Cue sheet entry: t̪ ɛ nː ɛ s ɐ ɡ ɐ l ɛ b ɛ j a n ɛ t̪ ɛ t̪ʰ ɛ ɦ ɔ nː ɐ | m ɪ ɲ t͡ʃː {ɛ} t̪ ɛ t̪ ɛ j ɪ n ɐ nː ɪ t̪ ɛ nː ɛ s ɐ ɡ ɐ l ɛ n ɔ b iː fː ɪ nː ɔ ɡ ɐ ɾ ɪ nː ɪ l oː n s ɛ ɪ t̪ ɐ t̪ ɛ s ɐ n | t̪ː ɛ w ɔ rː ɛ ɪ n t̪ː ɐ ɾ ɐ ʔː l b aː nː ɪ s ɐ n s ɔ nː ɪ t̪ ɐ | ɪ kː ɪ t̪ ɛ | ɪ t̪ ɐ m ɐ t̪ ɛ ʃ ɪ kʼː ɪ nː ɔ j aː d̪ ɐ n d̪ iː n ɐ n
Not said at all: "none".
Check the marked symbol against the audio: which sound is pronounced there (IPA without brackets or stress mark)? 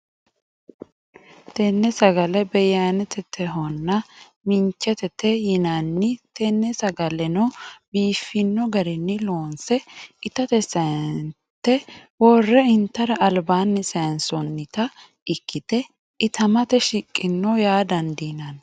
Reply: ɛ